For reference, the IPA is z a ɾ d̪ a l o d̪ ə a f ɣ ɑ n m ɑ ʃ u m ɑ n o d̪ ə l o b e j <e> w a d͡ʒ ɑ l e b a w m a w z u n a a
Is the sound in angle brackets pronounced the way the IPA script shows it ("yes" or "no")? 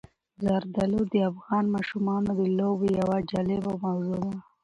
no